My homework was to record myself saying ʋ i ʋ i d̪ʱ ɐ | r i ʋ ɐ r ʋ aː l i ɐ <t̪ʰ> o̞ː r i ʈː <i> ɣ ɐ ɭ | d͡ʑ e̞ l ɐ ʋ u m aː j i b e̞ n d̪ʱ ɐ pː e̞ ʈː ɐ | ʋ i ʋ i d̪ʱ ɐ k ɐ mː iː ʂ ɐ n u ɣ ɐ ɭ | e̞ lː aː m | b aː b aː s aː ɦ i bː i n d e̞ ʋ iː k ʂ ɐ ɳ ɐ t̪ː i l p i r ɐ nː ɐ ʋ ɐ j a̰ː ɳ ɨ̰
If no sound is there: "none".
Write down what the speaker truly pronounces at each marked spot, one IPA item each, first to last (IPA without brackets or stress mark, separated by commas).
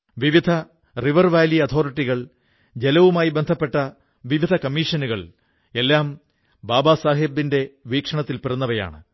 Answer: t̪ʰ, i